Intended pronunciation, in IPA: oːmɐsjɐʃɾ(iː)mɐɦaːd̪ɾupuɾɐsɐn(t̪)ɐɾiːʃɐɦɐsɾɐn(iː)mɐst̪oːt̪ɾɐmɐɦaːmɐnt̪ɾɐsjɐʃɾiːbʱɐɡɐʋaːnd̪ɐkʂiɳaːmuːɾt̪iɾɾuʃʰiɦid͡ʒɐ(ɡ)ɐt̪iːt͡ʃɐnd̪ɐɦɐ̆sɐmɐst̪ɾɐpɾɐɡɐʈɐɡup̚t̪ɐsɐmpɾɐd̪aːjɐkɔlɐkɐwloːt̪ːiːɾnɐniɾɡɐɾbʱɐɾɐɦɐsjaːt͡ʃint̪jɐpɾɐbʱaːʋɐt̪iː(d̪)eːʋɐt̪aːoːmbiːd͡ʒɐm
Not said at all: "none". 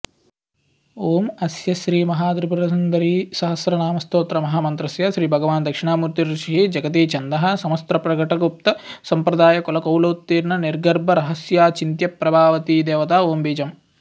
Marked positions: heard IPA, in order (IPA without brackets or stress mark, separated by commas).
iː, d̪, aː, ɡ, d̪